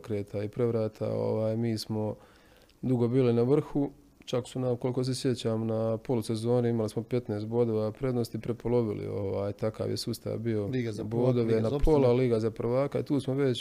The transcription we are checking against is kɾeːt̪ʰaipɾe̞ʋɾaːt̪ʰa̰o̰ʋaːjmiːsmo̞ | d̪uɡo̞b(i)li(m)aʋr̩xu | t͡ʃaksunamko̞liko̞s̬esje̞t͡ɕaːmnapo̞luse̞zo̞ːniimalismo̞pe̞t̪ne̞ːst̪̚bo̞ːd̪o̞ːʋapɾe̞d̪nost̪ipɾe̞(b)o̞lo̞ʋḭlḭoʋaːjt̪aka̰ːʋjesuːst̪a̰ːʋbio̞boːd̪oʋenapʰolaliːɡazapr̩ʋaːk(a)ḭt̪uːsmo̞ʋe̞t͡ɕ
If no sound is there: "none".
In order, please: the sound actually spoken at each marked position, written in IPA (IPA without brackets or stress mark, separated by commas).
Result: iː, n, p, a